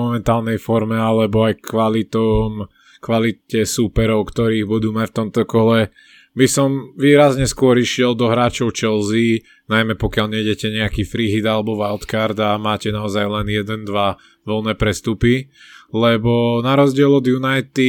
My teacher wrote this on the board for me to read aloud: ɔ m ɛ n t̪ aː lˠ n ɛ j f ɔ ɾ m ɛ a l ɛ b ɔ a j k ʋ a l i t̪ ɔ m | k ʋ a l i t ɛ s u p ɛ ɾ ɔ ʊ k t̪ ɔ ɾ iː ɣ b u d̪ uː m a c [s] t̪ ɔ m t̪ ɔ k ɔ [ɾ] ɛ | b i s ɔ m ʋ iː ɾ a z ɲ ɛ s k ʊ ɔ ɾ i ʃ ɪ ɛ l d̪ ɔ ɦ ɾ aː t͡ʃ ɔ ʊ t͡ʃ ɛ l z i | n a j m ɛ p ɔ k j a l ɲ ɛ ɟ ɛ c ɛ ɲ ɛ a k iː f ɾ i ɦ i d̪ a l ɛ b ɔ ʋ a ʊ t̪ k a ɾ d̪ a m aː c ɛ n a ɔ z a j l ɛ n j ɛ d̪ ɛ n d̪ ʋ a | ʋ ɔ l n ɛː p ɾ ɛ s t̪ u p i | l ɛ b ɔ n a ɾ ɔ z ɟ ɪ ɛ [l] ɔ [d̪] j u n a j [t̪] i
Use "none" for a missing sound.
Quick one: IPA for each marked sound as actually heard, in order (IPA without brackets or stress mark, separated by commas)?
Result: f, l, l, d̪, t̪